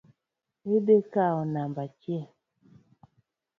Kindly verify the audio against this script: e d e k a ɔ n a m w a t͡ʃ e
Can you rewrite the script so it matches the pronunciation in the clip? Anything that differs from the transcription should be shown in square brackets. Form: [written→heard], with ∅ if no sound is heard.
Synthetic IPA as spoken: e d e k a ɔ n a m [w→b] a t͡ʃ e

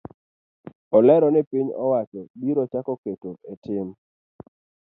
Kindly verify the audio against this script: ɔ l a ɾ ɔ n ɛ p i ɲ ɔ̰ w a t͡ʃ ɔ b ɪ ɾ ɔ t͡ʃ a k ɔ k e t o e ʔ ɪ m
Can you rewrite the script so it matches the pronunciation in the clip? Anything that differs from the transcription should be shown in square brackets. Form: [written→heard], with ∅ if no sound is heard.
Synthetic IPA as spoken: ɔ l [a→ɛ] ɾ ɔ n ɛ p i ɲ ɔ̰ w a t͡ʃ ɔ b [ɪ→i] ɾ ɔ t͡ʃ a k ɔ k e t o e [ʔ→t] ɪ m

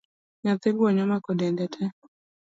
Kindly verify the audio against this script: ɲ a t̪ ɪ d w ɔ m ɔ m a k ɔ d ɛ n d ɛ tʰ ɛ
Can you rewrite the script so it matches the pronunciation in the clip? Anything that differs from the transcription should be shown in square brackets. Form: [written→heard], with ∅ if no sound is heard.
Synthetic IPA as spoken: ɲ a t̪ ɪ [d→ɡ] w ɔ [m→ɲ] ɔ m a k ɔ d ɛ n d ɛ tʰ ɛ

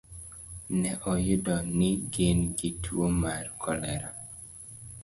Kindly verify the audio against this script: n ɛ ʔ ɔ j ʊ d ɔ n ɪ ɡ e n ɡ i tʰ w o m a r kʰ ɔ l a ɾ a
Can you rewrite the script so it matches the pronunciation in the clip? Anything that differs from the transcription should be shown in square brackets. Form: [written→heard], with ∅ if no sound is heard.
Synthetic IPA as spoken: n ɛ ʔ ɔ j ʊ d ɔ n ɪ ɡ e n ɡ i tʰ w o m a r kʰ ɔ l [a→ɛ] ɾ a

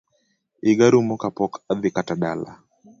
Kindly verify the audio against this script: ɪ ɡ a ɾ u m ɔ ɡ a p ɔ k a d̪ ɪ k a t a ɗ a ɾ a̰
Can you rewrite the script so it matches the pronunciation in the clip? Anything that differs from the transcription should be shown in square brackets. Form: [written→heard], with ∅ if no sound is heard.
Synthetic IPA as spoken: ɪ ɡ a ɾ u m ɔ [ɡ→k] a p ɔ k a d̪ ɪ k a t a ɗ a [ɾ→l] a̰

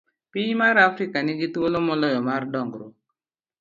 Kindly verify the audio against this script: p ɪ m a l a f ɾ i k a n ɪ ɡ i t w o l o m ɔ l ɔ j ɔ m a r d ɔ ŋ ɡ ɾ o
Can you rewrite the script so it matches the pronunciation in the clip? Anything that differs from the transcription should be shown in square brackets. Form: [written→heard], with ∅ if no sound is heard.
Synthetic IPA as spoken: p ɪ m a [l→ɾ] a f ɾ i k a n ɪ ɡ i t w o l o m ɔ l ɔ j ɔ m a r d ɔ ŋ ɡ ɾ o

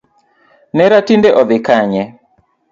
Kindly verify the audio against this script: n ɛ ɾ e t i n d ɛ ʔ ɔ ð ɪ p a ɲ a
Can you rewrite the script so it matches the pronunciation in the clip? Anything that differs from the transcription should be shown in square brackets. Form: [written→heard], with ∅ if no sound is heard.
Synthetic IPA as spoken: n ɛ ɾ [e→a] t i n d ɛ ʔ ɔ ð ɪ [p→k] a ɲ [a→ɛ]

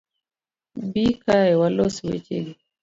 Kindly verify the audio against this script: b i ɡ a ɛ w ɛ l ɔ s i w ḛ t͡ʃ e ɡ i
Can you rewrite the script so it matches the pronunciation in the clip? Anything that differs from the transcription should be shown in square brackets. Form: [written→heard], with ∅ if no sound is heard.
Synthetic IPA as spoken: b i [ɡ→k] a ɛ w [ɛ→a] l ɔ s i w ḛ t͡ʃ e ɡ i

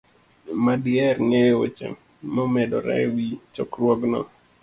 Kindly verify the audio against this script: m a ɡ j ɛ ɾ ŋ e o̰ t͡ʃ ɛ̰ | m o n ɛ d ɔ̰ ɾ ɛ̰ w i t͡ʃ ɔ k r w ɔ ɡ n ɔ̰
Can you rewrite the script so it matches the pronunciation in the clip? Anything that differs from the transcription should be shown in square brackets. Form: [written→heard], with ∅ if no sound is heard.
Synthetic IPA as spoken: m a [ɡ→d] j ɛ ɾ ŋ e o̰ t͡ʃ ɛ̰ | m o [n→m] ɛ d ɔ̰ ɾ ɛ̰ w i t͡ʃ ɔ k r w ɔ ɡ n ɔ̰

